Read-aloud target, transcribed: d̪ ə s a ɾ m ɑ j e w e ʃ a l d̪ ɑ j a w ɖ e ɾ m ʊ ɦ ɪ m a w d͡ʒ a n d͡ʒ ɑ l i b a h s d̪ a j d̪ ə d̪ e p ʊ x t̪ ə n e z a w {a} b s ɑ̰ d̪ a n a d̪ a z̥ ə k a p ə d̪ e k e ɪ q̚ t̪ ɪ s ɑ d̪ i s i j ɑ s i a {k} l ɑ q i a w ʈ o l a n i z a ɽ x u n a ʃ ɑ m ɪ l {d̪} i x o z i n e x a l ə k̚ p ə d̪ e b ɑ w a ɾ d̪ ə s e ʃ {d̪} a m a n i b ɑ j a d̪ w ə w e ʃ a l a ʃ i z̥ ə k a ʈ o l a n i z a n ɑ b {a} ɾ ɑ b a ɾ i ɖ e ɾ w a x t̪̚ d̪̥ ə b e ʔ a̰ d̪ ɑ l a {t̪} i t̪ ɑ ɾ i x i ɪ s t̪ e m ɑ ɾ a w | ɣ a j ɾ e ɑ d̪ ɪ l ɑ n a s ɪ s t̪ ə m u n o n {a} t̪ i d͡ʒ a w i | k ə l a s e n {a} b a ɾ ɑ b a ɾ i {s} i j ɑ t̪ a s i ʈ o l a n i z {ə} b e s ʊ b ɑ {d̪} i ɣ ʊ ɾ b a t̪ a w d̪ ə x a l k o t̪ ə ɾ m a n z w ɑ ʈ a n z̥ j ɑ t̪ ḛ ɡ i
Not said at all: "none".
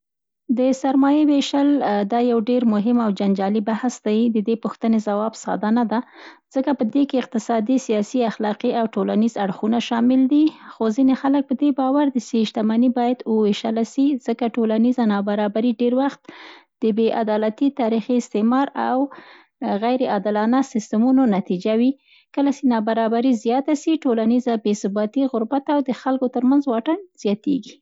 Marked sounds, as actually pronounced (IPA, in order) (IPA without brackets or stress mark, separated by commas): ɑ, x, d̪, t̪, a, t̪, a, ɑ, z, a, t̪